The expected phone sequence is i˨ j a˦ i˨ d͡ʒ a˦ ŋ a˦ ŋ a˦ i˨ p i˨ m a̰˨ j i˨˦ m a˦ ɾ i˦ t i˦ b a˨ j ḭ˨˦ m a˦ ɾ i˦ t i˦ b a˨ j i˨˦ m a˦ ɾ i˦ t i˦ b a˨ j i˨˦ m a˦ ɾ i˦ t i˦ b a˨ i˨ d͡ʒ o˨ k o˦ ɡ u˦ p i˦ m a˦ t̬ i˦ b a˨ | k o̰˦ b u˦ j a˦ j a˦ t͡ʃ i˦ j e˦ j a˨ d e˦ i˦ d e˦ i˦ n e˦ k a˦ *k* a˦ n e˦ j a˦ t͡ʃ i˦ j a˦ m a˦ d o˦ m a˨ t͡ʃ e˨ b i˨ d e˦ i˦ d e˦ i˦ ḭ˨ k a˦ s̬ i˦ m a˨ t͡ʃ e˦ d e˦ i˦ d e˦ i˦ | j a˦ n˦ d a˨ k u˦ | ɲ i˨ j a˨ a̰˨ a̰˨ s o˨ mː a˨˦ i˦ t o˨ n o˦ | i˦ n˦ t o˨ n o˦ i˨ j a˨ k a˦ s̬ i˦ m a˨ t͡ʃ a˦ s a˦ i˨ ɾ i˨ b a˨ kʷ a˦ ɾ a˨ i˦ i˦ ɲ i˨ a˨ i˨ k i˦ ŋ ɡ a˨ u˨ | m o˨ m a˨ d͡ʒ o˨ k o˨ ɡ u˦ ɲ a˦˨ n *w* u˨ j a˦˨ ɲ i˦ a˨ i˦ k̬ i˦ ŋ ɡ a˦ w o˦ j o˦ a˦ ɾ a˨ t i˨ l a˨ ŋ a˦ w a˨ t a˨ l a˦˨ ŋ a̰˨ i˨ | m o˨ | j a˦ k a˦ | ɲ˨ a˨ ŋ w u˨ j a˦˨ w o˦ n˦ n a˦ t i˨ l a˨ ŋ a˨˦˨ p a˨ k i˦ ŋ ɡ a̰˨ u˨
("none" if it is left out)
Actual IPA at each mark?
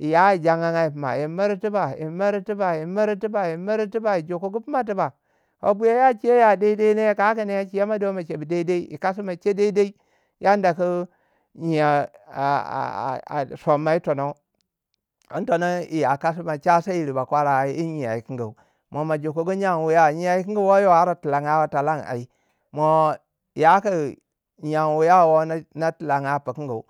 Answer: k, w

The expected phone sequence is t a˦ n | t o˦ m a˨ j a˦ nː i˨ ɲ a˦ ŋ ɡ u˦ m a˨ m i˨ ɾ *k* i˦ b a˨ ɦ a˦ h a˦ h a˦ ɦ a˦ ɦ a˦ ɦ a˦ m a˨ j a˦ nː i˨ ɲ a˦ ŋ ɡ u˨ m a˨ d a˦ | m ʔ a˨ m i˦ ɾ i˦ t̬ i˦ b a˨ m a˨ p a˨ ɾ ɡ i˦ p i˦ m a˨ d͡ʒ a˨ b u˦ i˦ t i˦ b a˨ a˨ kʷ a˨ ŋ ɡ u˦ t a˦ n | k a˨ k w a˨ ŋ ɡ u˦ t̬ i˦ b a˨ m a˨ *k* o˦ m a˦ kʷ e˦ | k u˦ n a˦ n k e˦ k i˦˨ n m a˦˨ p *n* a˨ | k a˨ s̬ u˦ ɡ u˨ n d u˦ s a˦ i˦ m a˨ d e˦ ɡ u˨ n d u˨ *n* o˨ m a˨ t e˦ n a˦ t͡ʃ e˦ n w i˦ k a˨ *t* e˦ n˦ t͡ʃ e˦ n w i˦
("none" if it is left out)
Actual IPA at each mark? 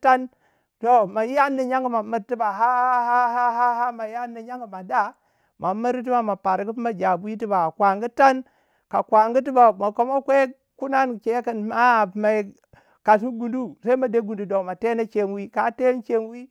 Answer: t, k, m, d, t

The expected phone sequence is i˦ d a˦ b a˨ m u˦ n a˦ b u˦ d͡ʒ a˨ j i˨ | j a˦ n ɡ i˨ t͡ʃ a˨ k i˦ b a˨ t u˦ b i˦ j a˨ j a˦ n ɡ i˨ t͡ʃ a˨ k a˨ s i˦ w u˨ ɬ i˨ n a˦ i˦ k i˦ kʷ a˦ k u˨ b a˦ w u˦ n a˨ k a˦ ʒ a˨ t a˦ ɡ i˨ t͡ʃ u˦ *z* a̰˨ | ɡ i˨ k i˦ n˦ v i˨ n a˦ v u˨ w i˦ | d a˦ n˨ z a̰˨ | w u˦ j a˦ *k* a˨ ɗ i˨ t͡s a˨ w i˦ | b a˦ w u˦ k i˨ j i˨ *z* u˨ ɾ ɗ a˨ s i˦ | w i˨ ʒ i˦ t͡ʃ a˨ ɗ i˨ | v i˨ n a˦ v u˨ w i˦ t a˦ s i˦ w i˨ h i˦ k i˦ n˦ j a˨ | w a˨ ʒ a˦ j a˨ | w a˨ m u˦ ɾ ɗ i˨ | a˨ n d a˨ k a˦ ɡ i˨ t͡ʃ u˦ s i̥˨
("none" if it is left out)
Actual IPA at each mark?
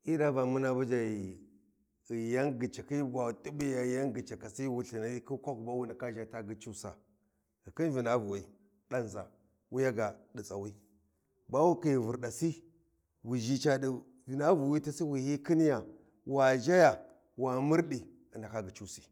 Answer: s, ɡ, v

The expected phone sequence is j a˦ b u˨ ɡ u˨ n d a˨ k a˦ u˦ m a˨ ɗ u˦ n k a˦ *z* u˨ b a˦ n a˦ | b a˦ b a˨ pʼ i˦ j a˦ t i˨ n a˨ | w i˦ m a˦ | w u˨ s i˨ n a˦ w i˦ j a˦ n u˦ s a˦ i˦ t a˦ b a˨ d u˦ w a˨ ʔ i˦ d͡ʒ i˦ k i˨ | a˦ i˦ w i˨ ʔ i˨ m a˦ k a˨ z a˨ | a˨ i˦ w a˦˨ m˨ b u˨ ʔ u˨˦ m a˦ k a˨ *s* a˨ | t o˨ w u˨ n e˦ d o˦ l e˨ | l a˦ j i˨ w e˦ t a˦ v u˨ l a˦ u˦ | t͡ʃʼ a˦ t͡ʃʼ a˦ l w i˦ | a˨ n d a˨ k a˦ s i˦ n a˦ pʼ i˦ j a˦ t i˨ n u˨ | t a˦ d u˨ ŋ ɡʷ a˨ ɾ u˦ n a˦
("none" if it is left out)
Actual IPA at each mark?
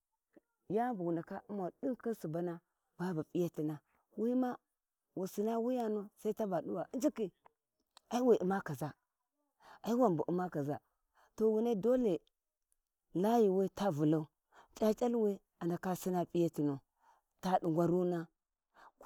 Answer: s, z

